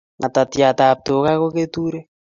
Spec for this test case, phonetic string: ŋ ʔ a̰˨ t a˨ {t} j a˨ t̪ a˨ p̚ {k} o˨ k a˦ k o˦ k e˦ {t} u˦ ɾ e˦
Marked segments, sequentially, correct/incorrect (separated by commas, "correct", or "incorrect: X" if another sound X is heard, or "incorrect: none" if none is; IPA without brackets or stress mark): correct, incorrect: t, correct